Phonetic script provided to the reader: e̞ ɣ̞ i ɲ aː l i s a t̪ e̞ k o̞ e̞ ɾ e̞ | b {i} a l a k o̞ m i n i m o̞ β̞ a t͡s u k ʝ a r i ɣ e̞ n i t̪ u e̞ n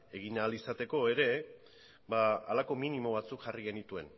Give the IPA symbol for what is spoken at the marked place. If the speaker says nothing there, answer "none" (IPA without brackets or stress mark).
a